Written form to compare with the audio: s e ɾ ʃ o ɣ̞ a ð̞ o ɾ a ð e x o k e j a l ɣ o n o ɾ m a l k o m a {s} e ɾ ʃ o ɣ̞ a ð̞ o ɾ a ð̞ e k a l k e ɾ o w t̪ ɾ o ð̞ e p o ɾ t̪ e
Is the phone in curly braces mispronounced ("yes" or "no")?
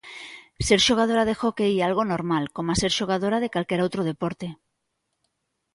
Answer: no